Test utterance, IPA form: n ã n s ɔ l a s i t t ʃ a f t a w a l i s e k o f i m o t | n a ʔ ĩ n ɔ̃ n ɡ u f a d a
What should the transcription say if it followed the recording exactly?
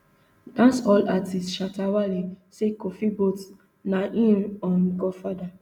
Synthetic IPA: d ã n s ɔ l a t i s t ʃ a t a w a l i s e k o f i b o t | n a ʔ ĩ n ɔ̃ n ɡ ɔ f a d a